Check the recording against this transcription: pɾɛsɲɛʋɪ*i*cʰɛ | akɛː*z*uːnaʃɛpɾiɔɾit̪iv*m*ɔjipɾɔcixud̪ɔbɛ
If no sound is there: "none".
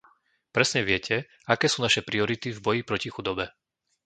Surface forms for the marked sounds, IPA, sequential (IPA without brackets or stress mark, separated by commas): ɛ, s, b